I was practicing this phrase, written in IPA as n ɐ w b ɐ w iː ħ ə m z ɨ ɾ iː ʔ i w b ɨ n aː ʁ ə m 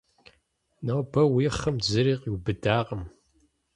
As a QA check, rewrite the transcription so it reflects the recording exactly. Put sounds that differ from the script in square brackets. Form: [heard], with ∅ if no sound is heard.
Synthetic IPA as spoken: n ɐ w b ɐ w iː [χ] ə m z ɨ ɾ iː [q] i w b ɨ [d] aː ʁ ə m